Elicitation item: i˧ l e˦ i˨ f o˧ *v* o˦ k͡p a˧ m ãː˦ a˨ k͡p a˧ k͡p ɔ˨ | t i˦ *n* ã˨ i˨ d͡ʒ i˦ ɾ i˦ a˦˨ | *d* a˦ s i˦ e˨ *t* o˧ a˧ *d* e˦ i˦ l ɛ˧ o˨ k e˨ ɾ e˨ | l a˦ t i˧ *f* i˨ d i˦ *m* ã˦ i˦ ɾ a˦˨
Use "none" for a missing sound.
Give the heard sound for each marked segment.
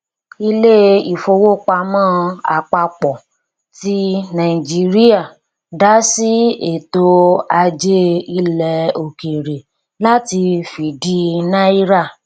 w, n, d, t, d͡ʒ, f, n

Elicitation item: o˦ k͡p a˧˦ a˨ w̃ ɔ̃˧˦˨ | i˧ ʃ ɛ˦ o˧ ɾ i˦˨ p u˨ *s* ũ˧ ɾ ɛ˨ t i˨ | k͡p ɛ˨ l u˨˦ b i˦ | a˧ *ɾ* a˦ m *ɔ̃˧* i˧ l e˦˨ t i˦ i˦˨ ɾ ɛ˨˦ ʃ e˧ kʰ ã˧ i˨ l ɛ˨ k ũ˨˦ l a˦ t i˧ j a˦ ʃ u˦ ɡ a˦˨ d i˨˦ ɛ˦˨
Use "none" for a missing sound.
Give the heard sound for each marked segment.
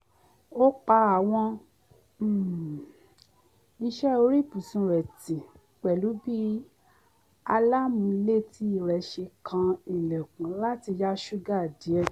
s, l, ũ˧

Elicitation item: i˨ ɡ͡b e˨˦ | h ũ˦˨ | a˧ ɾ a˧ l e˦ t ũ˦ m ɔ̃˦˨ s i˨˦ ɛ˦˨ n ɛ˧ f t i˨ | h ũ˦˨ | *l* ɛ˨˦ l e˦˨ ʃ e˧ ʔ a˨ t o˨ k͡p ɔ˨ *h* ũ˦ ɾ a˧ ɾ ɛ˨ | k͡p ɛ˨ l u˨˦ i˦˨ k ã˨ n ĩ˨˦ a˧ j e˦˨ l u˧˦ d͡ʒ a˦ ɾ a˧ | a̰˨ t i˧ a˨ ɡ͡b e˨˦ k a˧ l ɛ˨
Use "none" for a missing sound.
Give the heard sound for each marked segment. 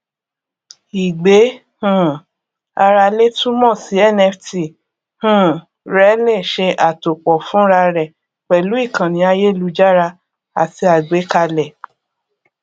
ɾ, f

